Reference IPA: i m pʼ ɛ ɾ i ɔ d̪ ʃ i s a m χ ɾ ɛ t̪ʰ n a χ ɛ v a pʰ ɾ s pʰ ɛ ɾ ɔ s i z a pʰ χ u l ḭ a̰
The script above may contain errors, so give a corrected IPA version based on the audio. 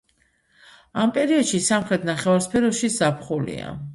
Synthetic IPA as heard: a m pʼ ɛ ɾ i ɔ d̪ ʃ i s a m χ ɾ ɛ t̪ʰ n a χ ɛ v a ɾ s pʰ ɛ ɾ ɔ ʃ i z a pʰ χ u l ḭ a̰